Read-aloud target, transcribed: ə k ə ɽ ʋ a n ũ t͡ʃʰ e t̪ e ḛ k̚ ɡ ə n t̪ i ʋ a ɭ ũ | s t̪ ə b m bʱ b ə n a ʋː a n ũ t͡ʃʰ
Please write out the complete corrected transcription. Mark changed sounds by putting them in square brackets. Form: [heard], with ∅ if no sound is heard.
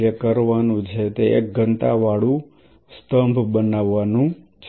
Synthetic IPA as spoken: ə k ə [ɾ] ʋ a n ũ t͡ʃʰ e t̪ e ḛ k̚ ɡ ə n t̪ [a] ʋ a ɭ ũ | s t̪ ə [∅] m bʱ b ə n a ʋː a n ũ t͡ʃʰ